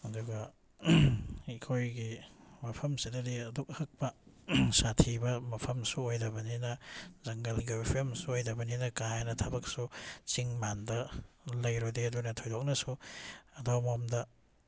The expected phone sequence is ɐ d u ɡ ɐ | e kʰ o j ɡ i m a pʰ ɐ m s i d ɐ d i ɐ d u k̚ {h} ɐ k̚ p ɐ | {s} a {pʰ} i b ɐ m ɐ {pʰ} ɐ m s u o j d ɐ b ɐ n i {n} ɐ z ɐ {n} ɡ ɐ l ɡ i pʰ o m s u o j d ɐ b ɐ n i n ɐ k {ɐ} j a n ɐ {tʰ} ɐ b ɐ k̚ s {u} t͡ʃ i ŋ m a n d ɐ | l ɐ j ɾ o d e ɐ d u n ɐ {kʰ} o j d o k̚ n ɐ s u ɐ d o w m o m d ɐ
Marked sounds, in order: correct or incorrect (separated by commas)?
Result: correct, correct, incorrect, correct, correct, incorrect, incorrect, correct, correct, incorrect